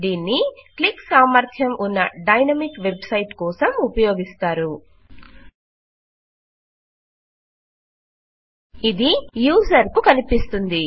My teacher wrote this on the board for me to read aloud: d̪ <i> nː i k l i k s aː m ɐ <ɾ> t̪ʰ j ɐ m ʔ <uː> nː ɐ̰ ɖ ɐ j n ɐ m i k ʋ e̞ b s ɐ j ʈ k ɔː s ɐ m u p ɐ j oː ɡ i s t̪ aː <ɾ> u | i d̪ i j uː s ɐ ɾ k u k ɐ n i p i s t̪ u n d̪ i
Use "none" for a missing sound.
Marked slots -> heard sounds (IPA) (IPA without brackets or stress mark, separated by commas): iː, ɾ, u, ɾ